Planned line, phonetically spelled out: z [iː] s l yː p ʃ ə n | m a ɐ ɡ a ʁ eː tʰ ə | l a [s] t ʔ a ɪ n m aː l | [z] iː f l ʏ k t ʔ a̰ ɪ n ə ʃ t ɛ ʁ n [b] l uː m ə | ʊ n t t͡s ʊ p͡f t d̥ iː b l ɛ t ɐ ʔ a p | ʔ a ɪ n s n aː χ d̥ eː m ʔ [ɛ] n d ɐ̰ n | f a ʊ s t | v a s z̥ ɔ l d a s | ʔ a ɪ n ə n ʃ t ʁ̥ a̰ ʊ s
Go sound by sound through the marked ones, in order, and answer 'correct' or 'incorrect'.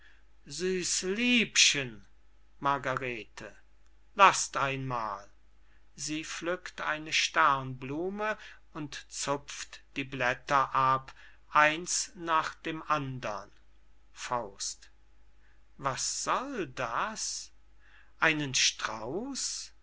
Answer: incorrect, correct, correct, correct, incorrect

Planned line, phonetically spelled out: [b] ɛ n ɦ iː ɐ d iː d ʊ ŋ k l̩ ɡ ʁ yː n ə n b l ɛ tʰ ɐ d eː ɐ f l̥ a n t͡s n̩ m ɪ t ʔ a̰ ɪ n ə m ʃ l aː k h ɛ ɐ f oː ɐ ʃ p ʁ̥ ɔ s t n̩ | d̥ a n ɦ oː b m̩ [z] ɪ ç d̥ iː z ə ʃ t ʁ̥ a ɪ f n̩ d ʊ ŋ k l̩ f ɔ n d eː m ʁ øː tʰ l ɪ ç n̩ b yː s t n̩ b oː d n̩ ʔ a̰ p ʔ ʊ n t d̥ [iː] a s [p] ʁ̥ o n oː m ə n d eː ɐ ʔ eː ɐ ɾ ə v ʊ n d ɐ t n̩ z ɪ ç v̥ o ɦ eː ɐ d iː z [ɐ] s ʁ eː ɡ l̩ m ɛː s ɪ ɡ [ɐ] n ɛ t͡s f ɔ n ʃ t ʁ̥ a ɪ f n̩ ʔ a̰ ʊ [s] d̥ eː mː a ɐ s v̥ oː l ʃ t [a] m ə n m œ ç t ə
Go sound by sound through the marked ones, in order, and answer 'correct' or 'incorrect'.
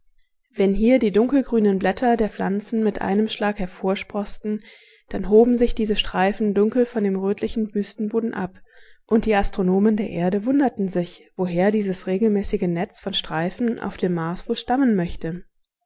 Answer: incorrect, correct, correct, incorrect, incorrect, incorrect, incorrect, correct

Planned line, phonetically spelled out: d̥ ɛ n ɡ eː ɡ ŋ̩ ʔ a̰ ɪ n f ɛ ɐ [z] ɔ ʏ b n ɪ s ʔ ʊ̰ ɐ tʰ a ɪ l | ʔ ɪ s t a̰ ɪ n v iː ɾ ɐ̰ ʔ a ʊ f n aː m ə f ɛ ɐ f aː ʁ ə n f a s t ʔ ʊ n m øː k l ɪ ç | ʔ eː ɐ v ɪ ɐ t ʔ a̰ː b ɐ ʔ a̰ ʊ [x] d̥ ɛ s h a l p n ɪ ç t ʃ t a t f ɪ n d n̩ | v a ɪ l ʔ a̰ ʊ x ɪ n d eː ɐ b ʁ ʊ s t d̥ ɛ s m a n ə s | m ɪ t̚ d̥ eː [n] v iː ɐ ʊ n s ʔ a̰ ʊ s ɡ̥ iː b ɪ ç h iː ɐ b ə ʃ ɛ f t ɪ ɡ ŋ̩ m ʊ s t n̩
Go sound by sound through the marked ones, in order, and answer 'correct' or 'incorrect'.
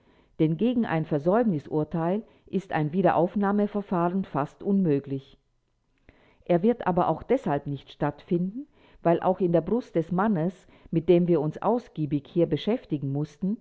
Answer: correct, correct, incorrect

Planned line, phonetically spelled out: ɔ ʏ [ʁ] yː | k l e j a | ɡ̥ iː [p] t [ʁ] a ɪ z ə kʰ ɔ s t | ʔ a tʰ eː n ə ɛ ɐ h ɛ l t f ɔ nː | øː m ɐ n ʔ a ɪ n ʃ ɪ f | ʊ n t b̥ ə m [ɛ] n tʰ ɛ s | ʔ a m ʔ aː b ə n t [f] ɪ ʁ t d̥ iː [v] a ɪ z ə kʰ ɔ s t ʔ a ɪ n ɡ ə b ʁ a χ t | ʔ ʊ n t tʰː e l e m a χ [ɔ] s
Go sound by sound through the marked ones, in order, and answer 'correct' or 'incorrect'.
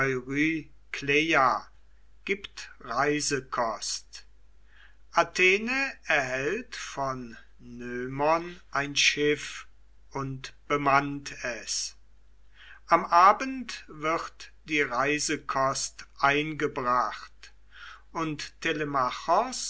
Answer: correct, correct, correct, incorrect, incorrect, incorrect, correct

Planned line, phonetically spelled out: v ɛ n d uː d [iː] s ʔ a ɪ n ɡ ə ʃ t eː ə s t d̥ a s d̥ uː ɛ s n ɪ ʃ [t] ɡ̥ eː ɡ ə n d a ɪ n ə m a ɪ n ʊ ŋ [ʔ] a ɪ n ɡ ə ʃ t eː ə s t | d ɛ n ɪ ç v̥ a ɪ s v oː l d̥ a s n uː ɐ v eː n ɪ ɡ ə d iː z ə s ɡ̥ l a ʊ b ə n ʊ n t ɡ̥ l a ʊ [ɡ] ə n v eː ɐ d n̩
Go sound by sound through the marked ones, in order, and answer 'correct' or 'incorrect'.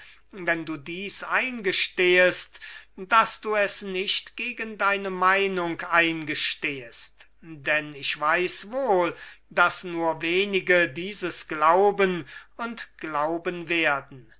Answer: correct, correct, incorrect, incorrect

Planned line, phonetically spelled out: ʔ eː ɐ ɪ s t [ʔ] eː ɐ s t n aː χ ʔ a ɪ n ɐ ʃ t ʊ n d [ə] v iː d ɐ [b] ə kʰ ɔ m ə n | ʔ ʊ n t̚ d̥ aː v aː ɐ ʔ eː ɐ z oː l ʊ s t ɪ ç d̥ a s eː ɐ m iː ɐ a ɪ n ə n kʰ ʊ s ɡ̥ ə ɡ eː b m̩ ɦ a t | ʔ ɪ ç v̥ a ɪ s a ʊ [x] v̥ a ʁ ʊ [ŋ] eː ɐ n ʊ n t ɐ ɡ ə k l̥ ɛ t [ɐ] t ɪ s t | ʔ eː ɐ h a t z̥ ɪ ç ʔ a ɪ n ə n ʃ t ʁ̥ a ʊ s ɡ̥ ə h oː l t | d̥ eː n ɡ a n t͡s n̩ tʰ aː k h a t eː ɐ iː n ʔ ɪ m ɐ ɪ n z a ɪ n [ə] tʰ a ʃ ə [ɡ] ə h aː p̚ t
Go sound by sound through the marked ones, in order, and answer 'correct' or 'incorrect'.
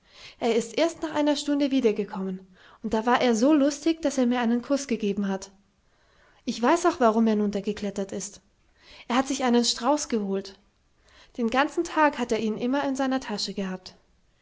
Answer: correct, correct, incorrect, correct, incorrect, correct, incorrect, correct

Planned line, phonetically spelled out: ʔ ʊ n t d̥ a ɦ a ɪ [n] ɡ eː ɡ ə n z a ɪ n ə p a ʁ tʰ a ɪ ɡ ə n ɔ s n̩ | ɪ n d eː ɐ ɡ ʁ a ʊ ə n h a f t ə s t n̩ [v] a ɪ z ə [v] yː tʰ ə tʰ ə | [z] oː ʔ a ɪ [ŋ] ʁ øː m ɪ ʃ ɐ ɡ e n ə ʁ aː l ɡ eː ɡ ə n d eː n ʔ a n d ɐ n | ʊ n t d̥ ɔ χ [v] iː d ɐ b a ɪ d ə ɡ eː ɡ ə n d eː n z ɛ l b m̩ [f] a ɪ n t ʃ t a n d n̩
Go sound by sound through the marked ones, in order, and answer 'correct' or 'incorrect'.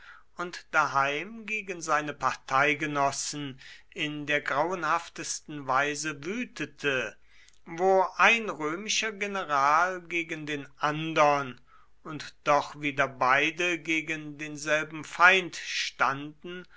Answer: incorrect, correct, correct, incorrect, incorrect, correct, correct

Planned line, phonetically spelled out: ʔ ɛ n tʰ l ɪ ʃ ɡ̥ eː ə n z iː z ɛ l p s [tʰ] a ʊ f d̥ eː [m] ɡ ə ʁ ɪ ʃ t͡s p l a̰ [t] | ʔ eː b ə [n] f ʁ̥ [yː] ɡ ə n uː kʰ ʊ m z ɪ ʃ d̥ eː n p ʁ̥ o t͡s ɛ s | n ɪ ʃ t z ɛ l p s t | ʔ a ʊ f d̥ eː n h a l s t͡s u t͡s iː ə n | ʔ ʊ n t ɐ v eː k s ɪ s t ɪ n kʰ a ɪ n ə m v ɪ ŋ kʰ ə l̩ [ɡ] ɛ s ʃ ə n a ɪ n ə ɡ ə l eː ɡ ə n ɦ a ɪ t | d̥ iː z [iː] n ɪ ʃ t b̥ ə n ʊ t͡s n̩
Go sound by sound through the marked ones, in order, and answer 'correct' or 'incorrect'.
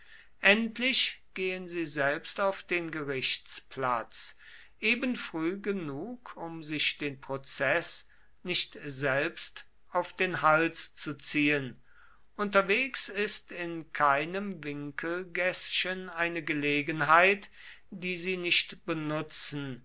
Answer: incorrect, incorrect, incorrect, correct, correct, correct, correct

